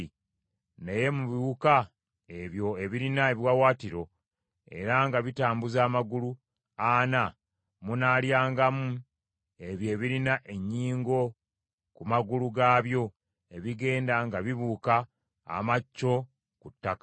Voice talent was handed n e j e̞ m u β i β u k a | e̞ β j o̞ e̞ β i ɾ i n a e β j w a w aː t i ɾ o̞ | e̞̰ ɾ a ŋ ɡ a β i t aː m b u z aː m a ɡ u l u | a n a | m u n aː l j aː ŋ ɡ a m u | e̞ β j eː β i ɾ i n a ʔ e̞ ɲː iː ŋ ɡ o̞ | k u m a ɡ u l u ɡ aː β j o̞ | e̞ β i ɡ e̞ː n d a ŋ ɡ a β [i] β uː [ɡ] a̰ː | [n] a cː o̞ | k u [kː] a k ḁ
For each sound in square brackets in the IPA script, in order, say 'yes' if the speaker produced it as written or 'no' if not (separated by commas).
yes, no, no, no